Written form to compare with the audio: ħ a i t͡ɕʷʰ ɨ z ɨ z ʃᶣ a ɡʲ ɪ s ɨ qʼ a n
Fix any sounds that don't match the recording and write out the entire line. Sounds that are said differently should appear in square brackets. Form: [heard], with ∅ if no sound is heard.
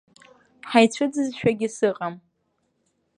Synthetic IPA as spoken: ħ a [j] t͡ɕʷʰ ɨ [d͡z] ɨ z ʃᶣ a ɡʲ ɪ s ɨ qʼ a [m]